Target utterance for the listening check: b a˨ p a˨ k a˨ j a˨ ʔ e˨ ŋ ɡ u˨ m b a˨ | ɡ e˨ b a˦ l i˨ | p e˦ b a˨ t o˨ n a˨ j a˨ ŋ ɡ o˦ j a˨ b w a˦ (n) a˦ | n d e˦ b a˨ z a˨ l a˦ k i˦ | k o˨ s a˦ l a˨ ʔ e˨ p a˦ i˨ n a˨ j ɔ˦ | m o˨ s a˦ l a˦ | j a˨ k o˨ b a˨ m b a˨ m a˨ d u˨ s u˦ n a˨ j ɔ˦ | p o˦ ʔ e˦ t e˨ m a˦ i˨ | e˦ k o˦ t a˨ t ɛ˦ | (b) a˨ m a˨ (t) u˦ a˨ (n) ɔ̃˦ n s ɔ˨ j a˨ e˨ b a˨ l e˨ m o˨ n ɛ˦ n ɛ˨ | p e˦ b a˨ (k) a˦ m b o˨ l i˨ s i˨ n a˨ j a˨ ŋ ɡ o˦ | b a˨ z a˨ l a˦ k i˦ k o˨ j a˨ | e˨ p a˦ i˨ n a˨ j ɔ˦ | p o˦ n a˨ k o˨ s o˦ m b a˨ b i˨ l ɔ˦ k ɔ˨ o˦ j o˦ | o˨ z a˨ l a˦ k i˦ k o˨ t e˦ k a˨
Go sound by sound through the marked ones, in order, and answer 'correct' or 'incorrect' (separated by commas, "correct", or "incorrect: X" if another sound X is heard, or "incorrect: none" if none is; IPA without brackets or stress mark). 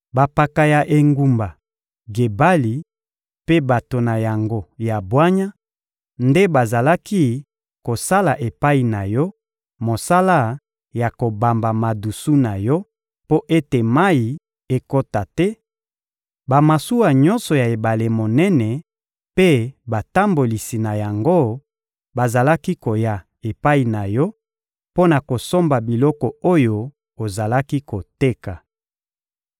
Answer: incorrect: ɲ, correct, incorrect: s, incorrect: ɲ, incorrect: t